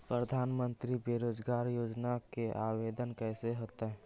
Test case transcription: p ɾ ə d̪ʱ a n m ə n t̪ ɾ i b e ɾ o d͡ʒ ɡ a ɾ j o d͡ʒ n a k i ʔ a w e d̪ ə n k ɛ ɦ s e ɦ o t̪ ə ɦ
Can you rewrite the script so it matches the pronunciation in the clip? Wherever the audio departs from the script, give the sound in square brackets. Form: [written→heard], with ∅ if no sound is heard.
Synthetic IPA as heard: p ɾ ə d̪ʱ a n m ə n t̪ ɾ i b e ɾ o d͡ʒ ɡ a ɾ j o d͡ʒ n a k [i→e] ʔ a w e d̪ ə n k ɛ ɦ s e ɦ o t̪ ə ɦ